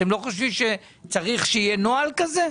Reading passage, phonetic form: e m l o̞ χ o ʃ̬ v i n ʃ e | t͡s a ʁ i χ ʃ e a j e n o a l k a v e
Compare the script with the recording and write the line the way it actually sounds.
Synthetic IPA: e m l o̞ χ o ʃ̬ v i m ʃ e | t͡s a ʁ i χ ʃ e i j e n o a l k a z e